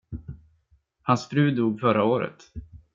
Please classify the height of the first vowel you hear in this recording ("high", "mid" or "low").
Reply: low